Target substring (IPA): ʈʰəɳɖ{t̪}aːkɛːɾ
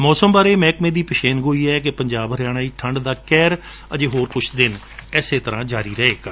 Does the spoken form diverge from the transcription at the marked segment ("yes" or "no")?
yes